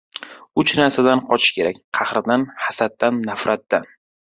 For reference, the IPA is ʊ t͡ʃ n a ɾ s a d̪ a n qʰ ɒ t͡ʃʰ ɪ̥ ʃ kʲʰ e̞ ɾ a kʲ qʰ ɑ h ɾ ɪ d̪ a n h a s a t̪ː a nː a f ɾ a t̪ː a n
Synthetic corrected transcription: ʊ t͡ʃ n a ɾ s a d̪ a n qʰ ɒ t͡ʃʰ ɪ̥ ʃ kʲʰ e̞ ɾ a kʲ qʰ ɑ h ɾ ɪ d̪ a n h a s a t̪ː a nː a f ɾ a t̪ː a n